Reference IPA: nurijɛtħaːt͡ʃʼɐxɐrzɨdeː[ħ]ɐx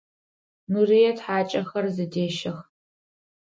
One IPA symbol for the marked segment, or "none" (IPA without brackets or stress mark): ʃ